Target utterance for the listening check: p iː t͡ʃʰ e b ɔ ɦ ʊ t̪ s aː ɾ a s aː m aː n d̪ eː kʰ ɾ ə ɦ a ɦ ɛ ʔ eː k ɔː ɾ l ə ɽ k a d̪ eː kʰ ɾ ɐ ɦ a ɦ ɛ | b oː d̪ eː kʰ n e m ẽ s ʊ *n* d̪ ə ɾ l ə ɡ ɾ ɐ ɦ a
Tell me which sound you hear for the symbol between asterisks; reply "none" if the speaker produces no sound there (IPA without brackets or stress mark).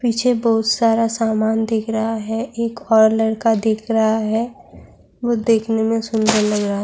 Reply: n